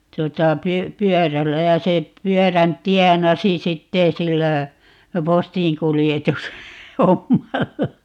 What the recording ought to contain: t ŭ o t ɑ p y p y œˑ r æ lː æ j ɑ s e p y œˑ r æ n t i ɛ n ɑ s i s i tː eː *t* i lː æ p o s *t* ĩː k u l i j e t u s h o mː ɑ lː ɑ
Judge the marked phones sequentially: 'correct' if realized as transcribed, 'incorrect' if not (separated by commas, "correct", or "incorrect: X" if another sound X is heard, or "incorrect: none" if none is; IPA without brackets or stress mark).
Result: incorrect: s, correct